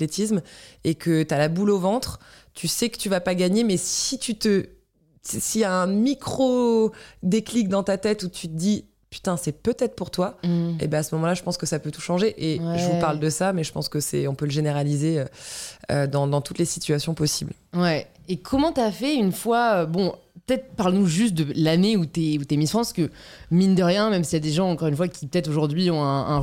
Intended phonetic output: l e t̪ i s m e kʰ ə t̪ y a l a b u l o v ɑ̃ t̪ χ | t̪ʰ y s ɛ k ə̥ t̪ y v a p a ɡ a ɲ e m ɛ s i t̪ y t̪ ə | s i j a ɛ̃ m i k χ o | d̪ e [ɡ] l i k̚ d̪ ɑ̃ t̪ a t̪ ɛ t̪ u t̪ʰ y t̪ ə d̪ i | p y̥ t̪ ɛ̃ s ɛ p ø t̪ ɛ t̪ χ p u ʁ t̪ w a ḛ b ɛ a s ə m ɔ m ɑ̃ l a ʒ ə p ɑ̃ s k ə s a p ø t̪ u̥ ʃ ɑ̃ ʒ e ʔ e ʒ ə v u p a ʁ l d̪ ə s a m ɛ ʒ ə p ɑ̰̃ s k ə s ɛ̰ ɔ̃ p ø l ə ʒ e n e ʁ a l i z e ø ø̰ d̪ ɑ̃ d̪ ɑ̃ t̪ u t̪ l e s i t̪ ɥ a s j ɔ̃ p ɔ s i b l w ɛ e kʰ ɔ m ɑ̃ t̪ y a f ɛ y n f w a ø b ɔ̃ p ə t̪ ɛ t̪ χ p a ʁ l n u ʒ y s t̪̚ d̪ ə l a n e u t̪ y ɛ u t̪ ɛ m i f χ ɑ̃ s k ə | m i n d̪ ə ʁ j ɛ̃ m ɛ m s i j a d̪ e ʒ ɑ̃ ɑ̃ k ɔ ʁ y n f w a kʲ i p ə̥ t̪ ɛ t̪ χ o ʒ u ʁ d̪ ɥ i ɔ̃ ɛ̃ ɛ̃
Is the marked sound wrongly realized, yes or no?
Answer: yes